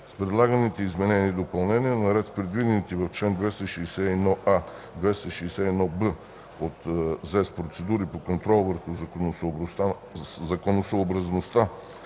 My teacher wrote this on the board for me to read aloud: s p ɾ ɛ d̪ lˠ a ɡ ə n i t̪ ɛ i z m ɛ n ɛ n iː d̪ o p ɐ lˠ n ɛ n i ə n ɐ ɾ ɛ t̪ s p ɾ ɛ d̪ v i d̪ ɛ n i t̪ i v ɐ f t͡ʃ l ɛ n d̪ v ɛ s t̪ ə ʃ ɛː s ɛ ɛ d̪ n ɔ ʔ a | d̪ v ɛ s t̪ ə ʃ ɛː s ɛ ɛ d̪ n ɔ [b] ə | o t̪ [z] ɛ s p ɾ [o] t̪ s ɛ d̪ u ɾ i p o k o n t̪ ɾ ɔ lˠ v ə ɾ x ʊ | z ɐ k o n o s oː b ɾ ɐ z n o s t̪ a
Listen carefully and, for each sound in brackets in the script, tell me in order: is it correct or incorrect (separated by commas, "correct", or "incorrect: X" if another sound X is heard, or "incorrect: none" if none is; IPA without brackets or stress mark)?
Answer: correct, correct, correct